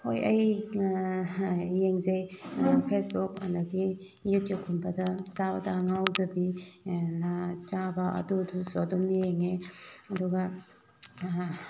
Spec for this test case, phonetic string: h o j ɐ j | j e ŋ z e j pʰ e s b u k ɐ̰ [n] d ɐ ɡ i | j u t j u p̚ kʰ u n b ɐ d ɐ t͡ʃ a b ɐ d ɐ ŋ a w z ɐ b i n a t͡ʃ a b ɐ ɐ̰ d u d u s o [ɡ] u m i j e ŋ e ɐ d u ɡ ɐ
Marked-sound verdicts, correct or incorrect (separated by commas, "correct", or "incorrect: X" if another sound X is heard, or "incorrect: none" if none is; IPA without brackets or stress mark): correct, incorrect: d